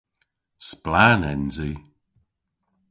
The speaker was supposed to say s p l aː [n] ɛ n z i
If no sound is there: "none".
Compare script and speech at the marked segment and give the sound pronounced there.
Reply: n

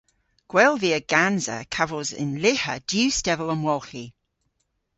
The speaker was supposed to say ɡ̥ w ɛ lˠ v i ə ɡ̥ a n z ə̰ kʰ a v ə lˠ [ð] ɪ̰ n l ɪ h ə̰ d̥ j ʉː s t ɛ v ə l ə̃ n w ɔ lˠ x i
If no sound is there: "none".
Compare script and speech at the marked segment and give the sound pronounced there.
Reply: z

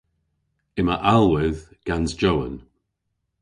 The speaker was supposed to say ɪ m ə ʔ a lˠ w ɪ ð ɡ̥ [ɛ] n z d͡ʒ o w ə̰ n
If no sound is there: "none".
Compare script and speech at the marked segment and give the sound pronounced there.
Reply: a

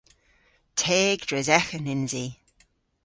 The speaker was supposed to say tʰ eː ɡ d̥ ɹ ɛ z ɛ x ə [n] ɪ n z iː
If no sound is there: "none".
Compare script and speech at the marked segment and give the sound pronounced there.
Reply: n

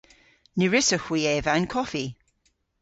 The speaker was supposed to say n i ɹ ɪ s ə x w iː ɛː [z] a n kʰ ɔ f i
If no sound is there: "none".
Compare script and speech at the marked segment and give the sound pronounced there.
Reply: v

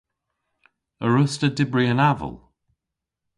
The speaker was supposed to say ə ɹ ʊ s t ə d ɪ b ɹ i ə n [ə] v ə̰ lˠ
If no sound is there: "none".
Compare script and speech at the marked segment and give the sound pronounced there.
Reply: a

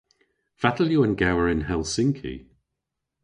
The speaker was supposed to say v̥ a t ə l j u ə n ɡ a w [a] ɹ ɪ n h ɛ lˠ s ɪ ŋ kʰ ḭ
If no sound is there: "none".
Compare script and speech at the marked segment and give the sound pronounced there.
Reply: ə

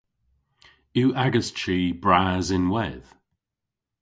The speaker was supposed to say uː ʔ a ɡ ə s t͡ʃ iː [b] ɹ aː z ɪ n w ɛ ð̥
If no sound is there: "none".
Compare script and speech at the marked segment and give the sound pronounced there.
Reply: b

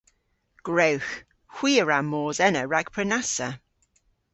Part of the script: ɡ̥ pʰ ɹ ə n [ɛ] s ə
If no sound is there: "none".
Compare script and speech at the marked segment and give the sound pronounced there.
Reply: a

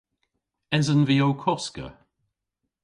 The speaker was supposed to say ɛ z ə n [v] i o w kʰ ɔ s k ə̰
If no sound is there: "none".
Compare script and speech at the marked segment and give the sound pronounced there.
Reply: v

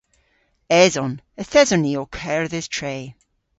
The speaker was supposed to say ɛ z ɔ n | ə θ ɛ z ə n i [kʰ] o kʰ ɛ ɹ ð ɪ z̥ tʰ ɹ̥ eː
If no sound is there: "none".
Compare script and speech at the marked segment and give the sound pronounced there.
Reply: none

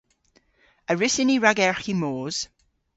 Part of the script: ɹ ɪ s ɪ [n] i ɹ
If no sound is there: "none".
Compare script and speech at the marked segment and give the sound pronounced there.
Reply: n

